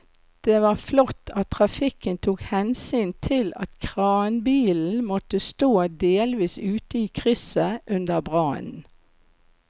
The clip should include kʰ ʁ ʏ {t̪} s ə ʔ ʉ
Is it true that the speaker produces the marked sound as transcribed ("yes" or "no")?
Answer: no